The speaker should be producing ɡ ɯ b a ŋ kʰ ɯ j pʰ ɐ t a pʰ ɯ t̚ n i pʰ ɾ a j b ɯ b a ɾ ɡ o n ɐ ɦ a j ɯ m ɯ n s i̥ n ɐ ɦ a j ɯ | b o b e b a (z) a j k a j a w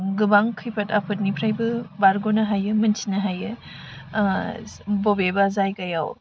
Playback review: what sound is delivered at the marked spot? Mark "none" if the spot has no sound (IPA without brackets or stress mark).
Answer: z